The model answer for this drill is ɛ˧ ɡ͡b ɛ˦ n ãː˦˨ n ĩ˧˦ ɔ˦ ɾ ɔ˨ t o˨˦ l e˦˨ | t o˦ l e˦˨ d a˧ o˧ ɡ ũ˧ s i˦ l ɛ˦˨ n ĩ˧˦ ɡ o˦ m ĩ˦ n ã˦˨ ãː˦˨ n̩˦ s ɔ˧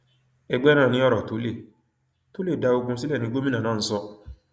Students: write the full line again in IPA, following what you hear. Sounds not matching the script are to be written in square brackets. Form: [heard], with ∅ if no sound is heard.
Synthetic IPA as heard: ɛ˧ ɡ͡b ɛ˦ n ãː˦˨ n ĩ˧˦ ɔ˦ ɾ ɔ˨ t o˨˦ l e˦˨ | t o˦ l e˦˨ d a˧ o˧ ɡ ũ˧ s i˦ l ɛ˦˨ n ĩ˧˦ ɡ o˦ m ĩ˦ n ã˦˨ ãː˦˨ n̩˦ s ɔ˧